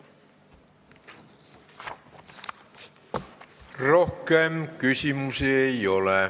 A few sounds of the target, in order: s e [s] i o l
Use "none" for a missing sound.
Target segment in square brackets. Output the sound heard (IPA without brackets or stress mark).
none